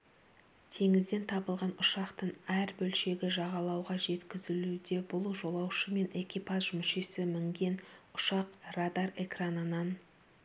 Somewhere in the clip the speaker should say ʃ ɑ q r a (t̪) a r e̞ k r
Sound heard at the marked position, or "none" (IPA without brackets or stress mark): d̪